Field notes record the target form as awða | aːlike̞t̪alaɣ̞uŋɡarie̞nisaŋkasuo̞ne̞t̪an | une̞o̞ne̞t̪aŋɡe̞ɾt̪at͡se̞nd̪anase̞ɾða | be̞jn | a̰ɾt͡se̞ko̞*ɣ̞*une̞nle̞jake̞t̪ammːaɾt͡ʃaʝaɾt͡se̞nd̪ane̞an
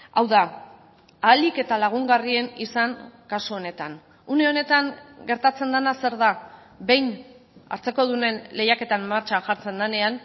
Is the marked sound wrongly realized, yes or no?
yes